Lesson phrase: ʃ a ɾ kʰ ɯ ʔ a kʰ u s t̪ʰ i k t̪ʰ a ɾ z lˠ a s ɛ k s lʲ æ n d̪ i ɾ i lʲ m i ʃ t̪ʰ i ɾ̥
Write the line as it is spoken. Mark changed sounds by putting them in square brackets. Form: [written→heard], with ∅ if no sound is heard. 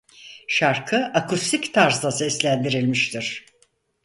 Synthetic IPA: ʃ a ɾ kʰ ɯ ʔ a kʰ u s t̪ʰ i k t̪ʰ a ɾ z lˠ a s ɛ [k→∅] s lʲ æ n d̪ i ɾ i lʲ m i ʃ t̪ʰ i ɾ̥